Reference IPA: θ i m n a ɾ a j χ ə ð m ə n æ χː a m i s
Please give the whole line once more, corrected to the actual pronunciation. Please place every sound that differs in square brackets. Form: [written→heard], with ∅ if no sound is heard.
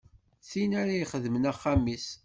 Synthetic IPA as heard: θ i [m→∅] n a ɾ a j χ ə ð m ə n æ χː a m i s